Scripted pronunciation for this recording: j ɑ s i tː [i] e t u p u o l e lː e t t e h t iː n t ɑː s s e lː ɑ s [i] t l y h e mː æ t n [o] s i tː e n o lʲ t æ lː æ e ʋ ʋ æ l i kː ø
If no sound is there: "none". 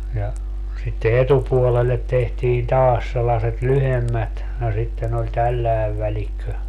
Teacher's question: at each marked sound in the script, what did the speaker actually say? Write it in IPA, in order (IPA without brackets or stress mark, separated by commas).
e, e, o